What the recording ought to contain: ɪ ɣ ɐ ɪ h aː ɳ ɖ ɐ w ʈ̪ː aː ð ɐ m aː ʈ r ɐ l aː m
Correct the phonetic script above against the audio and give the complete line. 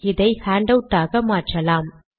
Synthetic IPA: ɪ ð ɐ ɪ h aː ɳ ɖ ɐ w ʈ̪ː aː ɣ ɐ m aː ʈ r ɐ l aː m